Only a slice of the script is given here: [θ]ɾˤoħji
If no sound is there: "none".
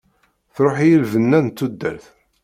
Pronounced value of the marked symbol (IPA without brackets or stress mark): θ